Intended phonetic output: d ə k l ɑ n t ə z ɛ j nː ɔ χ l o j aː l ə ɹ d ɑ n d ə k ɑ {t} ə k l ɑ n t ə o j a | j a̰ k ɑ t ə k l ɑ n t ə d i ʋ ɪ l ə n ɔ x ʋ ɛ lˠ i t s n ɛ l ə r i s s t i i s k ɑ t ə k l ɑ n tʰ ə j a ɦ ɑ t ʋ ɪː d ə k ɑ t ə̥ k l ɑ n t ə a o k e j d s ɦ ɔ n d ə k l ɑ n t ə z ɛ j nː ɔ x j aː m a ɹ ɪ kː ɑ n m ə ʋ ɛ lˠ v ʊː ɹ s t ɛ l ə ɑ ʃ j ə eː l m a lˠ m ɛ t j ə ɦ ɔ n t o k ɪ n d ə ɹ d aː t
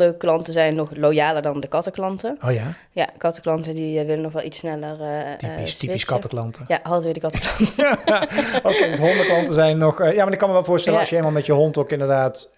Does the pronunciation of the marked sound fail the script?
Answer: no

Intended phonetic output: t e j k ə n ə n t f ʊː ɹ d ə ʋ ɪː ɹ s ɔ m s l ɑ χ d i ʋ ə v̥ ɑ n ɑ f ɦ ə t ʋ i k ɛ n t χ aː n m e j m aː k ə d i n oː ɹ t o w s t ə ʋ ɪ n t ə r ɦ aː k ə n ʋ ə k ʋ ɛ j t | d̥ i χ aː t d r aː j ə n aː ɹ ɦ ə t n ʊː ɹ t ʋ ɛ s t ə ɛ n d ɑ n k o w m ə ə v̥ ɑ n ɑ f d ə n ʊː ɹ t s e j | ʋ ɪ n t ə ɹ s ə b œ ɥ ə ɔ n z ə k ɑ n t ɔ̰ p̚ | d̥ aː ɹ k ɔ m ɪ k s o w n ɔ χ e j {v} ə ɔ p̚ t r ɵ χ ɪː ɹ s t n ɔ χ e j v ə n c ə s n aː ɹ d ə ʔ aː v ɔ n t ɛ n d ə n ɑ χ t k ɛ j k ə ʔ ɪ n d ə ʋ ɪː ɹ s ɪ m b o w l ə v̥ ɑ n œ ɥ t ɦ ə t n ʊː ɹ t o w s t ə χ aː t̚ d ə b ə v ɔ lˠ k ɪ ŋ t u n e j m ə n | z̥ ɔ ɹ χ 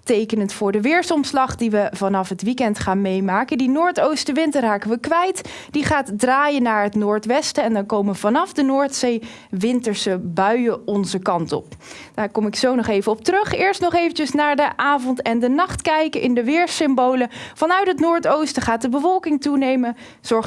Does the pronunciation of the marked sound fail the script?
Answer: no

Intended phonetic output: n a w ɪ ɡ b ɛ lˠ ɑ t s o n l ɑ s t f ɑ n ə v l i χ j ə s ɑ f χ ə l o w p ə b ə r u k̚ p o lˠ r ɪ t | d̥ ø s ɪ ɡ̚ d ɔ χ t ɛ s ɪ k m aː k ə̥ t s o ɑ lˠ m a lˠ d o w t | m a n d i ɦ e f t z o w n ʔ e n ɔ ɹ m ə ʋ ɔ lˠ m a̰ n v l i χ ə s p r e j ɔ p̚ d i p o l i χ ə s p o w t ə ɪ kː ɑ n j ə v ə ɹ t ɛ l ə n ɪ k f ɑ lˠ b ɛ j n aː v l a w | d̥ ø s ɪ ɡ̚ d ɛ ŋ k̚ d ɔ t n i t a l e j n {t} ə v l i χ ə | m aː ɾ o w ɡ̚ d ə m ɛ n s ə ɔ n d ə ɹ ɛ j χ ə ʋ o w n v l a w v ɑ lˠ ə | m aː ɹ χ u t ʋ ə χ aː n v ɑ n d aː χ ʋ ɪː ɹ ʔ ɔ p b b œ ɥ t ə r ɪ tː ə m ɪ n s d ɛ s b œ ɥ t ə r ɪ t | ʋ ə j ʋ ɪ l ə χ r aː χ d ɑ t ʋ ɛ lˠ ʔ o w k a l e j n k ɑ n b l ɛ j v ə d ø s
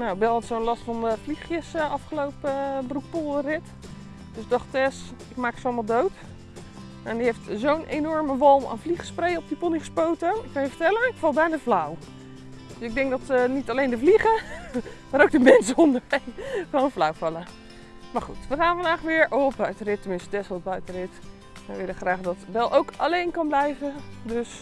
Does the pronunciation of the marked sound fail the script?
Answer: yes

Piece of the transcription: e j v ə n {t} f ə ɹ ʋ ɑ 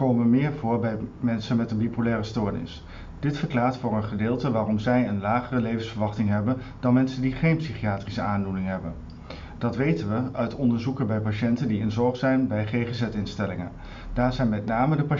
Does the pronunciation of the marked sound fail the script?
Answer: yes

